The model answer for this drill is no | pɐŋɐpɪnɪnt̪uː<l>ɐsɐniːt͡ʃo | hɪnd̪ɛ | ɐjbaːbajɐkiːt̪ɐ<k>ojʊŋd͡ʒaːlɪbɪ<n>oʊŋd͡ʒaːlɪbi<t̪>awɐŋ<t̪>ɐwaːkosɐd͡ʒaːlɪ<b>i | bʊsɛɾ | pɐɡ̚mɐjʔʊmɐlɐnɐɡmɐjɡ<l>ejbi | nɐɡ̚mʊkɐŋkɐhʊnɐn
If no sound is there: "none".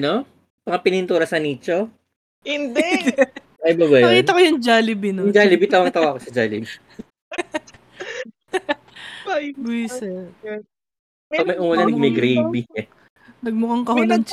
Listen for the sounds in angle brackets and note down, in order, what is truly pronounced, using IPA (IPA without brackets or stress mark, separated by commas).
ɾ, k, n, t̪, t̪, b, ɾ